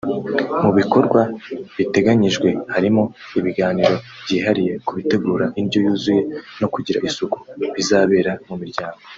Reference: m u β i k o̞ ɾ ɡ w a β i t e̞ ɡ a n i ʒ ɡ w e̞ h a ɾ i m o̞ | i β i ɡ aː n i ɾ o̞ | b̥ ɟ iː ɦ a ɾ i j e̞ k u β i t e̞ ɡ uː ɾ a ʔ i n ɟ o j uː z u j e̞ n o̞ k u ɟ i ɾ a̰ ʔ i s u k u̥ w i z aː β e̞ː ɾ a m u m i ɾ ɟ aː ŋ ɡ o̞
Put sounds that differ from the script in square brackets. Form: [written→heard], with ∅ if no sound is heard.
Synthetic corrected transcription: m u β i k o̞ ɾ ɡ w a β i t e̞ ɡ a [n→ɲ] i ʒ ɡ w e̞ h a ɾ i m o̞ | i β i ɡ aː n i ɾ o̞ | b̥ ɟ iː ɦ a ɾ i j e̞ k u β i t e̞ ɡ uː ɾ a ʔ i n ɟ o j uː z u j e̞ n o̞ k u ɟ i ɾ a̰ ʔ i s u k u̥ [w→β] i z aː β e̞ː ɾ a m u m i ɾ ɟ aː ŋ ɡ o̞